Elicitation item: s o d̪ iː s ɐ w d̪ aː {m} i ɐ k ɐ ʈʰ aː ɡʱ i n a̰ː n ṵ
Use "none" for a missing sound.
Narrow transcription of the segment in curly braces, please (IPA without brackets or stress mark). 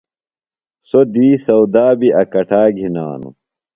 b